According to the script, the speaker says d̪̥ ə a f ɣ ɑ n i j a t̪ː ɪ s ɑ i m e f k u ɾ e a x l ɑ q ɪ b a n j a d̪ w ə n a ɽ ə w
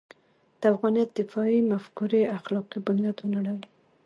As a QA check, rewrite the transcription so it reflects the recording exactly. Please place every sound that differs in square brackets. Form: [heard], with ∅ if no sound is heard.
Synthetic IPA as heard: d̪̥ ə a f ɣ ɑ n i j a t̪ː ɪ [f] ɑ i m [a] f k u ɾ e a x l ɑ q [i] b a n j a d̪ w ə n a ɽ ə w

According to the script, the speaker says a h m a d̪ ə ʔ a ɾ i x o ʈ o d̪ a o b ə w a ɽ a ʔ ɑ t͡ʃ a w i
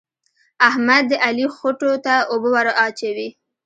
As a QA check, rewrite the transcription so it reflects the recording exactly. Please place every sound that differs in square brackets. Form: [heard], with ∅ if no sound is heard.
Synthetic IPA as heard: a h m a [d̪ː] ə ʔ a [l] i x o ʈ o [t̪] a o b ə w a [ɾ] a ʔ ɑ t͡ʃ a w i

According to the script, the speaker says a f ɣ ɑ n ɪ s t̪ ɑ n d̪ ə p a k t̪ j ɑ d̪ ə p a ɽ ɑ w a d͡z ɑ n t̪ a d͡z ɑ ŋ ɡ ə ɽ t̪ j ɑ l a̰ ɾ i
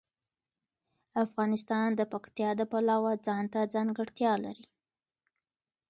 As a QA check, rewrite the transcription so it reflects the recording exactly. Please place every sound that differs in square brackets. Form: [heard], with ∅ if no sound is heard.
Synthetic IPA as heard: a f ɣ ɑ n ɪ s t̪ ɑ n d̪ ə p a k t̪ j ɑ d̪ ə p a [l] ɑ w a d͡z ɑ n t̪ a d͡z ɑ ŋ ɡ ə ɽ t̪ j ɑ l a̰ ɾ i

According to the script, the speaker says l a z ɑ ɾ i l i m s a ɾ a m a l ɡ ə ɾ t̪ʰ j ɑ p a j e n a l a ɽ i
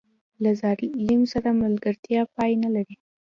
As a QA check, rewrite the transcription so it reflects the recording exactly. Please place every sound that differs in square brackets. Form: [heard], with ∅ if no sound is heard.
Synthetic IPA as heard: l a z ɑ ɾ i l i m s a ɾ a m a l ɡ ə ɾ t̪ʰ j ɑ p [ɑ] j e n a l a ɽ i

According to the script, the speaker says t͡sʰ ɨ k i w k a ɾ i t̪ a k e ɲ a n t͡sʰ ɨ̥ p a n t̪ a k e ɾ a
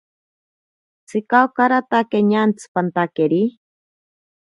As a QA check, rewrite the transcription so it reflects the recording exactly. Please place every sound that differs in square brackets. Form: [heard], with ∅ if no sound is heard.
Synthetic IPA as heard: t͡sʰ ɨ k [a] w k a ɾ [a] t̪ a k e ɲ a n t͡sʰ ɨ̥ p a n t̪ a k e ɾ [i]

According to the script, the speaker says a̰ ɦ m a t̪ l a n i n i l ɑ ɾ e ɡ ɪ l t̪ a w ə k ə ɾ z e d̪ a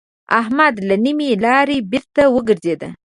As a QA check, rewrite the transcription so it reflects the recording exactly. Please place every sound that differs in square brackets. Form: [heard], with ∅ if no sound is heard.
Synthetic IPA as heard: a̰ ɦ m a [d̪] l a n i [m] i l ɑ ɾ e [b] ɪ [ɾ] t̪ a w ə [ɡ] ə ɾ z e d̪ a

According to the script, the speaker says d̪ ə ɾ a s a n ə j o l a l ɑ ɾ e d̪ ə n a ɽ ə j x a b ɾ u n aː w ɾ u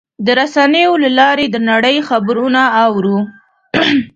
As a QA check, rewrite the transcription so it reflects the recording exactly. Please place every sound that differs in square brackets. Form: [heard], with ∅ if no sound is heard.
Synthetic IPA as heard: d̪ ə ɾ a s a n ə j o l a l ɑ ɾ e d̪ ə n a ɽ ə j x a b ɾ u n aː w ɾ u

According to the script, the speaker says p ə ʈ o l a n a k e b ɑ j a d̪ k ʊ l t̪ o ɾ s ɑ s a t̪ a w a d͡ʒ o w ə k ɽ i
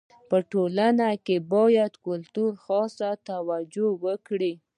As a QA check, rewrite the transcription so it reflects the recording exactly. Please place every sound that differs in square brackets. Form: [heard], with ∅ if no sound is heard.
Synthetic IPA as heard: p ə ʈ o l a n a k e b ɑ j a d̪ k ʊ l t̪ [u] ɾ [x] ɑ s a t̪ a w a d͡ʒ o w ə k ɽ i

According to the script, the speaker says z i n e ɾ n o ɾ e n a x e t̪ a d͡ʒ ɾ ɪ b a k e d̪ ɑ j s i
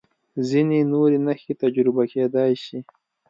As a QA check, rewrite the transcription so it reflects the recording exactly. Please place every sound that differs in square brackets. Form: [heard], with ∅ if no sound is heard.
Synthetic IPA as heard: z i n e [∅] n o ɾ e n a x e t̪ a d͡ʒ ɾ ɪ b a k e d̪ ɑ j [ʃ] i

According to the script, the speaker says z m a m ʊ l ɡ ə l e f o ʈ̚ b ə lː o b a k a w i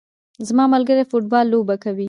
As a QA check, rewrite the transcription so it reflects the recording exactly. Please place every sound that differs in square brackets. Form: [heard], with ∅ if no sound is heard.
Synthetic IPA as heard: z m [ɑ] m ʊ l ɡ ə [ɾ] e f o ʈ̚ b [ɑ] lː o b a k a w i

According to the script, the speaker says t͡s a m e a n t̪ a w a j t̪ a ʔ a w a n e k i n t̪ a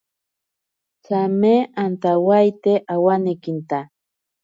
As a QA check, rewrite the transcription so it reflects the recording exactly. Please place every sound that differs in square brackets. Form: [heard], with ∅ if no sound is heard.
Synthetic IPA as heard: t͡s a m e a n t̪ a w a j t̪ [e] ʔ a w a n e k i n t̪ a

